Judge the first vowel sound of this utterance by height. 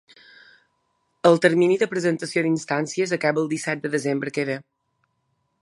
mid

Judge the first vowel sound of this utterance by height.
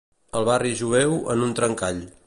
mid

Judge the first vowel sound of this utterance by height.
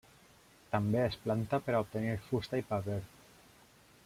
low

